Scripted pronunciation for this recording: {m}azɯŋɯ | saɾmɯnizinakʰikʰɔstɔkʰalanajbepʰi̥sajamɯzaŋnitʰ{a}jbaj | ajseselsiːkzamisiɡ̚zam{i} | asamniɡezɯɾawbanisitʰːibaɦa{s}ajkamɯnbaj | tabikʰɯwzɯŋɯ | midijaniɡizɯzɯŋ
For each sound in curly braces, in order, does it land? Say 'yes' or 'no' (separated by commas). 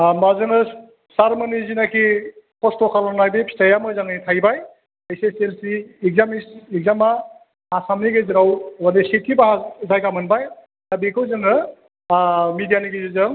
yes, yes, no, no